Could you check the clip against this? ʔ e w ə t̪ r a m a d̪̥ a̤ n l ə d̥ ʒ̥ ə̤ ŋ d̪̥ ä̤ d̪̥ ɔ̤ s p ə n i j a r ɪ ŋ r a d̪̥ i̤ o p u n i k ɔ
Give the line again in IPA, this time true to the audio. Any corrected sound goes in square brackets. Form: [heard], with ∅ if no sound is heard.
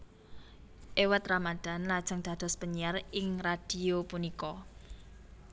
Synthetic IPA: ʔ e w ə t̪ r a m a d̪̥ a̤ n l [a] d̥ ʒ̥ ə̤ ŋ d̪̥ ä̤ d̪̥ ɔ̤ s p ə [ɲ] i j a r ɪ ŋ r a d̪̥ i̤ o p u n i k ɔ